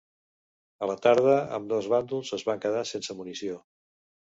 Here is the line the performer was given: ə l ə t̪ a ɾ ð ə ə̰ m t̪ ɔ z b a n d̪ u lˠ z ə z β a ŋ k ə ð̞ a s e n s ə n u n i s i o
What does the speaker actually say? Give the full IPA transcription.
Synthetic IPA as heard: ə l ə t̪ a ɾ ð ə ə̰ m d̪ ɔ z β a n d̪ u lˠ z ə z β a ŋ k ə ð̞ a s e n s ə m u n i s i o